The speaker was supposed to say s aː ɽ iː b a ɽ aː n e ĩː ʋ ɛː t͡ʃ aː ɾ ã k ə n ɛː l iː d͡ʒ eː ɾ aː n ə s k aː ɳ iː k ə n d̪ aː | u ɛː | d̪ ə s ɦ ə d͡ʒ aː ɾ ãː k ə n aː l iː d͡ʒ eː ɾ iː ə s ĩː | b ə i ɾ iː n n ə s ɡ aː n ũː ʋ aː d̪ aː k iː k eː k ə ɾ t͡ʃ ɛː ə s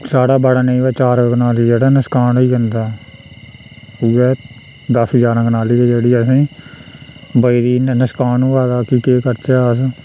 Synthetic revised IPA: s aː ɽ aː b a ɽ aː n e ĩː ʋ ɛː t͡ʃ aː ɾ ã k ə n aː l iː d͡ʒ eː ɽ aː n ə s k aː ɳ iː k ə n d̪ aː | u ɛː | d̪ ə s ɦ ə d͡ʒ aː ɾ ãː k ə n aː l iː d͡ʒ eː ɽ iː ə s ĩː | b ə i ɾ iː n n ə s k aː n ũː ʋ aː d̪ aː k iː k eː k ə ɾ t͡ʃ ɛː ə s